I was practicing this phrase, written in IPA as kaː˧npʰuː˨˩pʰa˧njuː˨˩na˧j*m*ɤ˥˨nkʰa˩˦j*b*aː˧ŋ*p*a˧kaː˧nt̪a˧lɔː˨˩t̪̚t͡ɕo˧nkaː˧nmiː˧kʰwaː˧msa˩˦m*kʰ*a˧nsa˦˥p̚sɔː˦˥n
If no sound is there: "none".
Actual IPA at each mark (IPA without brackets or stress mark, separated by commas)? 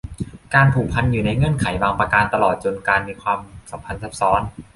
ŋ, w, p, pʰ